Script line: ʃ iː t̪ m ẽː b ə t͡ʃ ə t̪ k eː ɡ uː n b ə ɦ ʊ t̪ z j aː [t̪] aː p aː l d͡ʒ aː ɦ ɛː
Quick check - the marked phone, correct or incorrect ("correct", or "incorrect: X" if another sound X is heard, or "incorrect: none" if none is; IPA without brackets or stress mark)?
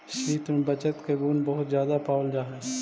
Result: incorrect: d̪